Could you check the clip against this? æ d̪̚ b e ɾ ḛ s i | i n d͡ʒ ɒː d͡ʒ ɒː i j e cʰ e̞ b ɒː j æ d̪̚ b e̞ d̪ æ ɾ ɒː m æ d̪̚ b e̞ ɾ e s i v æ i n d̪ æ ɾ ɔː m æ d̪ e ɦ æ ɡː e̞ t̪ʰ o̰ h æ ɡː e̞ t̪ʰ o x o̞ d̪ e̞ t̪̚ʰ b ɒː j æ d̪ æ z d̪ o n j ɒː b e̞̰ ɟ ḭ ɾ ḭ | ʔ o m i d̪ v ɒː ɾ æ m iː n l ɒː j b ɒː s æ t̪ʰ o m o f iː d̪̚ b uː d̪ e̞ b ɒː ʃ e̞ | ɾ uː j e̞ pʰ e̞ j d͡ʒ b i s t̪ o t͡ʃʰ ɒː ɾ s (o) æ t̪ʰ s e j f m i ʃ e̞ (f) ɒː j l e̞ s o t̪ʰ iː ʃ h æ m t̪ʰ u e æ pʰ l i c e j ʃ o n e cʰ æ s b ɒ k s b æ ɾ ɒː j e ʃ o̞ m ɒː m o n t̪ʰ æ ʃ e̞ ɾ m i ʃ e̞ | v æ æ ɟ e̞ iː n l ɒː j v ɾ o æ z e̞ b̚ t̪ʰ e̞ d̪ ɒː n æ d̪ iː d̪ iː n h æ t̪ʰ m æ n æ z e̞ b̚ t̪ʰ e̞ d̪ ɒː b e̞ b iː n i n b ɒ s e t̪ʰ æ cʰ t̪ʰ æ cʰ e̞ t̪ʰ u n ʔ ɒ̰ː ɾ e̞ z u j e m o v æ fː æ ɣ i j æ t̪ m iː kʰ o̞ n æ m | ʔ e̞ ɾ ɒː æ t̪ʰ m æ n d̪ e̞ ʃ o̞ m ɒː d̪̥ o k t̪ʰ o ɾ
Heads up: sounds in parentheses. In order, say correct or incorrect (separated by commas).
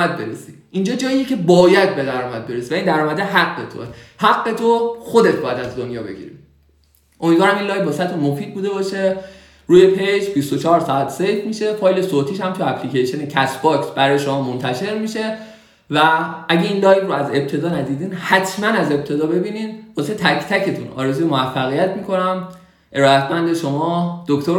incorrect, correct